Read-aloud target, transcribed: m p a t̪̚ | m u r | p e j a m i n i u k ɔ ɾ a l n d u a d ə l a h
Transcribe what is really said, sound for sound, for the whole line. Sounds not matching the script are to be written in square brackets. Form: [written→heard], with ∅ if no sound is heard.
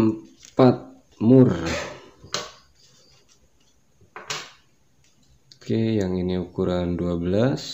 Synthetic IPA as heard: m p a t̪̚ | m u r | [p→k] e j a [m→ŋ] i n i u k [ɔ→u] ɾ a [l→∅] n d u a [d→b] ə l a [h→s]

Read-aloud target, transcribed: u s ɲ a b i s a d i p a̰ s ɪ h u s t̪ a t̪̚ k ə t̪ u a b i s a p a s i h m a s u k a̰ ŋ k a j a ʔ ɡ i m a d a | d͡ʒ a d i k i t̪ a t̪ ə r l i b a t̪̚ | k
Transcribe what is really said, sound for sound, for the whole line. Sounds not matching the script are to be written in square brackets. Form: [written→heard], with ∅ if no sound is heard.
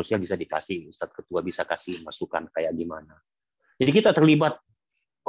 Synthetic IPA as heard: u s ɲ a b i s a d i [p→k] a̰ s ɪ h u s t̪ a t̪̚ k ə t̪ u a b i s a [p→k] a s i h m a s u k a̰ [ŋ→n] k a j a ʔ ɡ i m a [d→n] a | d͡ʒ a d i k i t̪ a t̪ ə r l i b a t̪̚ | k

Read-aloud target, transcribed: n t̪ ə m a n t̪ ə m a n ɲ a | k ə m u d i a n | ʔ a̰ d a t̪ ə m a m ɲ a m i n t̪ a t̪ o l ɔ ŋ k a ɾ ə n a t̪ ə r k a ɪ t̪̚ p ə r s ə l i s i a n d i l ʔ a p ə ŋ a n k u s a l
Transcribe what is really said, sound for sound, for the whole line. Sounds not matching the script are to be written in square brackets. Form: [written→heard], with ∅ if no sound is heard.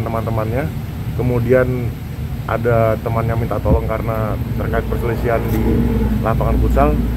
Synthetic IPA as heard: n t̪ ə m a n t̪ ə m a n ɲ a | k ə m u d i a n | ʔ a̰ d a t̪ ə m a [m→n] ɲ a m i n t̪ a t̪ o l ɔ ŋ k a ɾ ə n a t̪ ə r k a ɪ t̪̚ p ə r s ə l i s i a n d i l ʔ a p [ə→a] ŋ a n k u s a l

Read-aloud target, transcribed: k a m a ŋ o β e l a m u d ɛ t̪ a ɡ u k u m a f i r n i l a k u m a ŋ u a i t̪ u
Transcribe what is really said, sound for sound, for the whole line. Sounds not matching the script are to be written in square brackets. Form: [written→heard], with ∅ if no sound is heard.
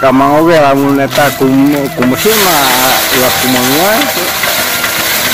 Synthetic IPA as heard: k a m a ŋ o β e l a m u [d→n] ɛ t̪ a [ɡ→k] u k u m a [f→s] i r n [i→a] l a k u m a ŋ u a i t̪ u

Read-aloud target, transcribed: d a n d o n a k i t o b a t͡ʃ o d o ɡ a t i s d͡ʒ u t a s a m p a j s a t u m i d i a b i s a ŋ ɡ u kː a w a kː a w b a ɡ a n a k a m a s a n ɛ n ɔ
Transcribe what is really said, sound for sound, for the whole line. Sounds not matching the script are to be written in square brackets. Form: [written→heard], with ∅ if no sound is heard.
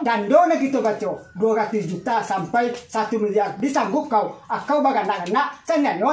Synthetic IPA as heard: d a n d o n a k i t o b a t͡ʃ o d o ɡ a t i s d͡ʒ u t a s a m p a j s a t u m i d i a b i s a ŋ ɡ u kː a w a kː a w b a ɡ a n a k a [m→n] a s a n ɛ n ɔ

